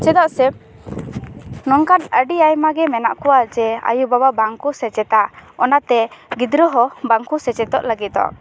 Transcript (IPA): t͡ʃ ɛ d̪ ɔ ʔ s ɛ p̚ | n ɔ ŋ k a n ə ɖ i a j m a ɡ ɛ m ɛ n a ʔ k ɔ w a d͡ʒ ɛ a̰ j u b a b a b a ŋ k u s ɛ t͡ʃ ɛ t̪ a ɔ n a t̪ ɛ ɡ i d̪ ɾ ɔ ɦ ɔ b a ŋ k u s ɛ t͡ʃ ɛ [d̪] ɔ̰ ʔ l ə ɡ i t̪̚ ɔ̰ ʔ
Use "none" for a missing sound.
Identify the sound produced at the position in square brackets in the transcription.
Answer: t̪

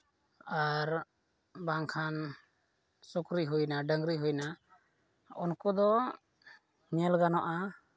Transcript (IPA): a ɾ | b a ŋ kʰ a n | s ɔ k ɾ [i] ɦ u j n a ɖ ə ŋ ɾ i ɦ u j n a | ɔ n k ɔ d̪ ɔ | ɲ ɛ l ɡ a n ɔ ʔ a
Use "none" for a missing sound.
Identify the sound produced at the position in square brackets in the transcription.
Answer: i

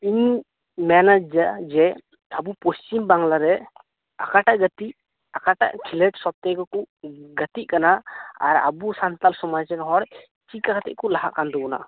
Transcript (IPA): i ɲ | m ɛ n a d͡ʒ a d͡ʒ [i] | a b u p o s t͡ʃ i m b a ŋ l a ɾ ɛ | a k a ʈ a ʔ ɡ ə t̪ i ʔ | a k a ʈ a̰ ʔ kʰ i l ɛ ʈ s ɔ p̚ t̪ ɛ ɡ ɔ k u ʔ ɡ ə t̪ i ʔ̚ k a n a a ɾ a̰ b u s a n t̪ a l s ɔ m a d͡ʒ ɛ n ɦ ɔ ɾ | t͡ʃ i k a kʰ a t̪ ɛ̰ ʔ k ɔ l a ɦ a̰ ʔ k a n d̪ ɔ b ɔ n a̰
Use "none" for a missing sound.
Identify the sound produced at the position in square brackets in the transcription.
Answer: ɛ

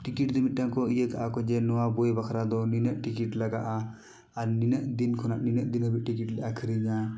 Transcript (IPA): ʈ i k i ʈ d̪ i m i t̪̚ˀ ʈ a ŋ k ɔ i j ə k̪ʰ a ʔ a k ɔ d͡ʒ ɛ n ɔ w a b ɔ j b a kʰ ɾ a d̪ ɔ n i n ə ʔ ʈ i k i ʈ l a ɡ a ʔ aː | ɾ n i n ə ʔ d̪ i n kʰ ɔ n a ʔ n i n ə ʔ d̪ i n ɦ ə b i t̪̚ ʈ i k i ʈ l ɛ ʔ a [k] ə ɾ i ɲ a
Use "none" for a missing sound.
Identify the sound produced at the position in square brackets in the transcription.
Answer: kʰ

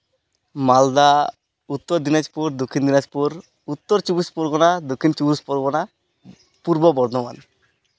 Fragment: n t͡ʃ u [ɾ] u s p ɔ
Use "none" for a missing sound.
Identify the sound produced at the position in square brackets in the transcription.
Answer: ɾ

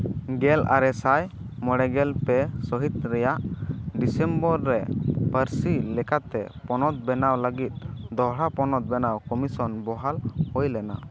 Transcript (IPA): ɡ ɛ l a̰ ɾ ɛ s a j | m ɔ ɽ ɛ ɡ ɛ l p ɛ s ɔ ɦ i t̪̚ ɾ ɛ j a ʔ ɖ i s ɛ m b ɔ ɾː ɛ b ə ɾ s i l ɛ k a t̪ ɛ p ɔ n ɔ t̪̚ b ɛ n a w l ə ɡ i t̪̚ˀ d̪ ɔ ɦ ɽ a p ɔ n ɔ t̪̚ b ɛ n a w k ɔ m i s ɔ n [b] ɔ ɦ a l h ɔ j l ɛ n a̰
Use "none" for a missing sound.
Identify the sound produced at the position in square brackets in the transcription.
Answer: b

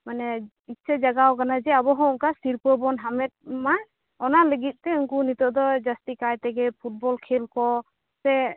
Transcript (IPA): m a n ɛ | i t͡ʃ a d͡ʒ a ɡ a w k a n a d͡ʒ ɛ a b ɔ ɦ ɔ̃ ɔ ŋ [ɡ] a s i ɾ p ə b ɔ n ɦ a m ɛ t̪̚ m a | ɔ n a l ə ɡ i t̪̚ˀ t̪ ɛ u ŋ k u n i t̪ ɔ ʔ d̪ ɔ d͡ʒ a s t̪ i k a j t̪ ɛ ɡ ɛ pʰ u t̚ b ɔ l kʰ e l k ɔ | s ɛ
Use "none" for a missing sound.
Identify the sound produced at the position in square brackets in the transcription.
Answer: k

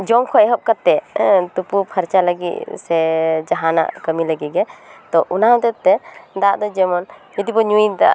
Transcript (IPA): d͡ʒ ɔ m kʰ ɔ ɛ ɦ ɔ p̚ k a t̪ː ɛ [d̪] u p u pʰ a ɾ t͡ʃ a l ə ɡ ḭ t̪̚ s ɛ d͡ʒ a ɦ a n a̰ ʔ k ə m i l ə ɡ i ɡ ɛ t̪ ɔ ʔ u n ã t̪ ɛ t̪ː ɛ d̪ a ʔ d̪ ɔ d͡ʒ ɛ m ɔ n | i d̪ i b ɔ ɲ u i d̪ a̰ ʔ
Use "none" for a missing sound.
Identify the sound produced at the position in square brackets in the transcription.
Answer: t̪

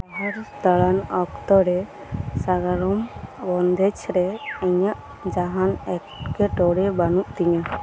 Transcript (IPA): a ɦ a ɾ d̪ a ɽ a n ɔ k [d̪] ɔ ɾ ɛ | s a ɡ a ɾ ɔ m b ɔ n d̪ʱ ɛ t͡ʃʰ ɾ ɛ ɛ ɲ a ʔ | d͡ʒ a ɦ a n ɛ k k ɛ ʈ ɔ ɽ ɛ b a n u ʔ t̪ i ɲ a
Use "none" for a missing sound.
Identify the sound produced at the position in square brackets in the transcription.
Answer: t̪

